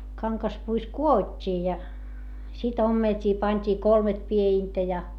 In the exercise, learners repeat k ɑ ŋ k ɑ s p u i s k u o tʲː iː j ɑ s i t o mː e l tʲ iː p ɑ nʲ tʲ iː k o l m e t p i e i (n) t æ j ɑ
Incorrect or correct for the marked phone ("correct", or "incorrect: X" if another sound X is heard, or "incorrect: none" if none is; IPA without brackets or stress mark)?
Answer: correct